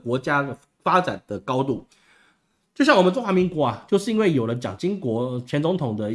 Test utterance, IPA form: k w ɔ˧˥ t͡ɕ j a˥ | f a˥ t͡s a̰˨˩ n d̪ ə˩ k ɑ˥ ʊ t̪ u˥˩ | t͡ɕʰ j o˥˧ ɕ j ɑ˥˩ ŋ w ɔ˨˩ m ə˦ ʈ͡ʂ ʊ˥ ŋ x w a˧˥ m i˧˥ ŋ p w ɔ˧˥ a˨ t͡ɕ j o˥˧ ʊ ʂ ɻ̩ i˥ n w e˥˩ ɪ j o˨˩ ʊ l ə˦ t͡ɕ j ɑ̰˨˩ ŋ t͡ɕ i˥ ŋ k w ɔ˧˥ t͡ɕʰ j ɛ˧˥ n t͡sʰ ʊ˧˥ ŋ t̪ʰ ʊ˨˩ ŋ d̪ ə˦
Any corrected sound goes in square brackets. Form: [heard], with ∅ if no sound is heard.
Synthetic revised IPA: k w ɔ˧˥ t͡ɕ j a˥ | f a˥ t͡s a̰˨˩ n d̪ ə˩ k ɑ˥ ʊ t̪ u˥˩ | [t͡ɕ] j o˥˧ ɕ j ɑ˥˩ ŋ w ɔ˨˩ m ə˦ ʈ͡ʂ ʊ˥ ŋ x w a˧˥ m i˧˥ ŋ [k] w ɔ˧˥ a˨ t͡ɕ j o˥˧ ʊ ʂ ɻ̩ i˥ n w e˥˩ ɪ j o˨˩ ʊ l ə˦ t͡ɕ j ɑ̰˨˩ ŋ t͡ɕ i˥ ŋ k w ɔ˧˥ t͡ɕʰ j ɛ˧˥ n [t͡s] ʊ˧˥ ŋ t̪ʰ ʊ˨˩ ŋ d̪ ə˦